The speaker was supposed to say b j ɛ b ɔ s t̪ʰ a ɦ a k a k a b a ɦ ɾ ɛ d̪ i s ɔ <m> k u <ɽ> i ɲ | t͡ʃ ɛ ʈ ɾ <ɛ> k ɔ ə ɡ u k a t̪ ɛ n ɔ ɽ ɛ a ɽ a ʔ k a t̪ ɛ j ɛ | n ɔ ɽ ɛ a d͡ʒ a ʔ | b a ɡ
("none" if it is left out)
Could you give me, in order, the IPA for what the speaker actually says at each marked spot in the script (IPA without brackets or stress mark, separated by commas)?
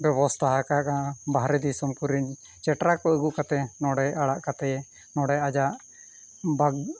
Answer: m, ɾ, a